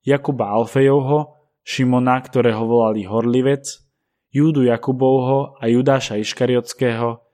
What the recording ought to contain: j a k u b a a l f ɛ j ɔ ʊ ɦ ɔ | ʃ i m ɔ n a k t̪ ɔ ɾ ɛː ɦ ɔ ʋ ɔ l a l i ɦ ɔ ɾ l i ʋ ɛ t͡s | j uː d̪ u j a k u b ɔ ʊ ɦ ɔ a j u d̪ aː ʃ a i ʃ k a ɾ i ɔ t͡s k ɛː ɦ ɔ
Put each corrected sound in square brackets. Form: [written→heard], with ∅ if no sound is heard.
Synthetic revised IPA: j a k u b a a l f ɛ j ɔ ʊ ɦ ɔ | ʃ i m ɔ n a k t̪ ɔ ɾ ɛː ɦ ɔ ʋ ɔ l a l i ɦ ɔ ɾ l i ʋ ɛ t͡s | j uː d̪ u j a k u b ɔ ʊ ɦ ɔ a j u d̪ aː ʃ a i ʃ k a ɾ i ɔ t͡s k ɛː ɦ ɔ